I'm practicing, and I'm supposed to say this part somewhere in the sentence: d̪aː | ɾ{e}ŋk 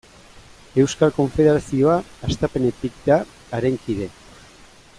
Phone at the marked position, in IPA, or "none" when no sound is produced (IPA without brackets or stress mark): e